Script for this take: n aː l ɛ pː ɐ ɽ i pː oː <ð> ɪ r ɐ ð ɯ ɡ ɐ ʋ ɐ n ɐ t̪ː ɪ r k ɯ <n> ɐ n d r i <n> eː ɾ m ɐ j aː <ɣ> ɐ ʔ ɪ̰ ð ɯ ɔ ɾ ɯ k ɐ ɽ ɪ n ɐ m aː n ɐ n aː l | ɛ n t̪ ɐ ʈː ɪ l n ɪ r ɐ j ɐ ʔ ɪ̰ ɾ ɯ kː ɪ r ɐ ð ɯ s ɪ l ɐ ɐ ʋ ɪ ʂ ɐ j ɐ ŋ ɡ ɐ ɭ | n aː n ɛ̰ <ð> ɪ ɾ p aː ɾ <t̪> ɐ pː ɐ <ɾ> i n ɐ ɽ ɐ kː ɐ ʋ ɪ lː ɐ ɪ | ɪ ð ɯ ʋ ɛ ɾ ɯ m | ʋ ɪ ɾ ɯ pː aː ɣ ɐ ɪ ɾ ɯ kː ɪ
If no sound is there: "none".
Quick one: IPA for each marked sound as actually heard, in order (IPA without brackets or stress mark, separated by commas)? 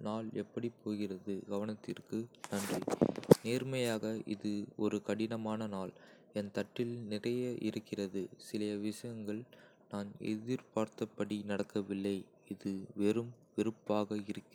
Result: ɣ, n, n, ɣ, ð, t̪, ɽ